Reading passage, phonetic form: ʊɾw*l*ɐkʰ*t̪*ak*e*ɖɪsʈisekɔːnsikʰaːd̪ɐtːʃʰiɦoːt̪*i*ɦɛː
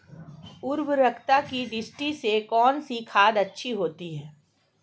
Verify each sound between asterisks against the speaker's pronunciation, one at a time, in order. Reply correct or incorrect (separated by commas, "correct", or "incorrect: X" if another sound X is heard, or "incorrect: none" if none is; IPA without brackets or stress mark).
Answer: incorrect: ɾ, correct, incorrect: i, correct